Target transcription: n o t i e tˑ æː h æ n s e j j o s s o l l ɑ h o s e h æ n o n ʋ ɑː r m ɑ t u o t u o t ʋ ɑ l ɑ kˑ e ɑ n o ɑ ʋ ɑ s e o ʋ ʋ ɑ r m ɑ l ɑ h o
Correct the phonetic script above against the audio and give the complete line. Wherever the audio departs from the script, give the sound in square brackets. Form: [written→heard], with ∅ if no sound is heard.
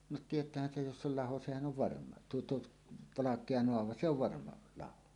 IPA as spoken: n o t i e tˑ æː h æ n s e j j o s s o l l ɑ h o s e h æ n o n ʋ [ɑː→ɑ] r m ɑ t u o t u o t ʋ ɑ l ɑ kˑ e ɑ n o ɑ ʋ ɑ s e o ʋ ʋ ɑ r m ɑ l ɑ h o